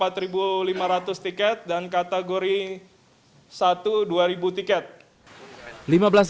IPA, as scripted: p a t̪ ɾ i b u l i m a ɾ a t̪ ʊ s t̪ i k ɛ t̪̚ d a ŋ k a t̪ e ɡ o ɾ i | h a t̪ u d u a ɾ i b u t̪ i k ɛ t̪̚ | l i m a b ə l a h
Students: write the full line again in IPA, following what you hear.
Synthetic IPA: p a t̪ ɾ i b u l i m a ɾ a t̪ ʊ s t̪ i k ɛ t̪̚ d a n k a t̪ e ɡ o ɾ i | s a t̪ u d u a ɾ i b u t̪ i k ɛ t̪̚ | l i m a b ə l a s